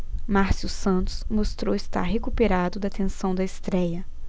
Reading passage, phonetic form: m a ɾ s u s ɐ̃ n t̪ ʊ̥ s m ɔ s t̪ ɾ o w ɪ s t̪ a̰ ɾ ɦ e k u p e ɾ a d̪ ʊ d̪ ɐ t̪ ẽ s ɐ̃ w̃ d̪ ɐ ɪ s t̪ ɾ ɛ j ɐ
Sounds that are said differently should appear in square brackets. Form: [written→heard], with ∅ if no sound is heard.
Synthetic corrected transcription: m a ɾ s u s ɐ̃ n t̪ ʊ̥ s m [ɔ→o] s t̪ ɾ o w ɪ s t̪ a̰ ɾ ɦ e k u p e ɾ a d̪ ʊ d̪ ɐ t̪ ẽ s ɐ̃ w̃ d̪ ɐ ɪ s t̪ ɾ ɛ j ɐ